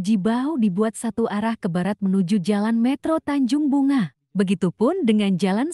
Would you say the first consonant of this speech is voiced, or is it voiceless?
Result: voiced